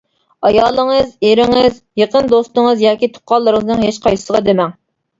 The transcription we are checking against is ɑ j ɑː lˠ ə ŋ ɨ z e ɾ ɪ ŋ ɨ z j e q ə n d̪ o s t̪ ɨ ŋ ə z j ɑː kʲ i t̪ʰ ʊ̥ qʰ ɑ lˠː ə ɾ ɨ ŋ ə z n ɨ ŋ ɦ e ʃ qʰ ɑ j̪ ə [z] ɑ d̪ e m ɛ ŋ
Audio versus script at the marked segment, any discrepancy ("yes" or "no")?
yes